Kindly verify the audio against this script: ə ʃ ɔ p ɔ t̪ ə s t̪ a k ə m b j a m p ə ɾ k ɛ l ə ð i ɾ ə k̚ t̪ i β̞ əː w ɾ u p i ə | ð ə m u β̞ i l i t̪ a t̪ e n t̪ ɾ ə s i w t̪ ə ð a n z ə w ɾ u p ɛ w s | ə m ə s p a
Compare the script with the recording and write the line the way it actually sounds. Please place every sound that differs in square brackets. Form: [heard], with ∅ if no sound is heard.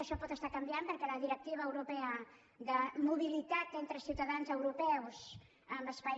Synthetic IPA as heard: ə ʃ ɔ p ɔ t̪ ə s t̪ a k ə m b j a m p ə ɾ k ɛ l ə ð i ɾ ə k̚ t̪ i β̞ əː w ɾ u p [ɛ] ə | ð ə m u β̞ i l i t̪ a t̪ e n t̪ ɾ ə s i w t̪ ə ð a n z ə w ɾ u p ɛ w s | ə m ə s p a